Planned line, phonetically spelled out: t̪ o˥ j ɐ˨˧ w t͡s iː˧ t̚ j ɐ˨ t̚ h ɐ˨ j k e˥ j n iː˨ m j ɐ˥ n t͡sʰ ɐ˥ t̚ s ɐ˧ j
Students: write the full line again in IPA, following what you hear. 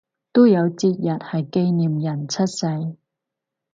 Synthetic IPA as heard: t̪ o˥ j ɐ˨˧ w t͡s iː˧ t̚ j ɐ˨ t̚ h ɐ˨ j k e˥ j n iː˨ m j ɐ˨˩ n t͡sʰ ɐ˥ t̚ s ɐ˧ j